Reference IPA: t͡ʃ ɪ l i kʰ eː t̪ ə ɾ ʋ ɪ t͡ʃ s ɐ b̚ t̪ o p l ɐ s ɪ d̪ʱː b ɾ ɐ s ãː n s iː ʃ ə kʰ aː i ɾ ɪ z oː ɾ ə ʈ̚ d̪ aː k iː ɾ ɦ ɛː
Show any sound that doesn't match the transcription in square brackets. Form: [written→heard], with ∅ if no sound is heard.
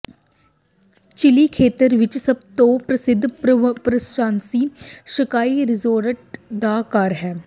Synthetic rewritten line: t͡ʃ ɪ l i kʰ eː t̪ ə ɾ ʋ ɪ t͡ʃ s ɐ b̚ t̪ o p [l→ɾ] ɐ s ɪ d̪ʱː [b→p] ɾ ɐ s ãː n s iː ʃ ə [kʰ→k] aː i ɾ ɪ z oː ɾ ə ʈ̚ d̪ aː k [iː→aː] ɾ ɦ ɛː